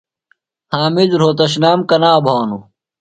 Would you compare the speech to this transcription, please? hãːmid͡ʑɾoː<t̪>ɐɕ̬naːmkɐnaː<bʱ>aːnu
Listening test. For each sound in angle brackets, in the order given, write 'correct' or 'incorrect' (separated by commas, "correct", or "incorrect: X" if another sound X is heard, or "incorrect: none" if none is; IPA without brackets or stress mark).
correct, correct